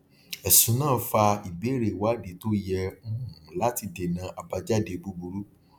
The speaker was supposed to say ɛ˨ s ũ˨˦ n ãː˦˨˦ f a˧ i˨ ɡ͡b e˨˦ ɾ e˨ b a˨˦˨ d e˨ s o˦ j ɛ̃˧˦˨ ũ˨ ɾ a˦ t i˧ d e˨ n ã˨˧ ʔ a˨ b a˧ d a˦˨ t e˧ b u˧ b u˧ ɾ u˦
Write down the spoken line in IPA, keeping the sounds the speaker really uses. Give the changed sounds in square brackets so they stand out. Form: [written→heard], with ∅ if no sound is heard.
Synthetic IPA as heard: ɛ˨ s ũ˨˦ n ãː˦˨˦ f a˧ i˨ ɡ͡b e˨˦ ɾ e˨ [b→w] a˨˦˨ d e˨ [s→t] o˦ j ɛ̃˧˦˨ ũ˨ [ɾ→l] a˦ t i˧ d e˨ n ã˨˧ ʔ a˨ b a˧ [d→d͡ʒ] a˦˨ [t→d] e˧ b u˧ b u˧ ɾ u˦